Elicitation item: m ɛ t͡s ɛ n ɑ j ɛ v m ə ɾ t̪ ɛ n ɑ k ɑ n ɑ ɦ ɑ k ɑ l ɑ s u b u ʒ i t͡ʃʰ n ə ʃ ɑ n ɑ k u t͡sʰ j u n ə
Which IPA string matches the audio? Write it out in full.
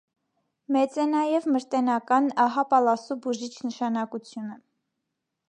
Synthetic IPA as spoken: m ɛ t͡s ɛ n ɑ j ɛ v m ə ɾ t̪ ɛ n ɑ k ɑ n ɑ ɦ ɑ p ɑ l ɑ s u b u ʒ i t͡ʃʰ n ə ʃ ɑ n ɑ k u t͡sʰ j u n ə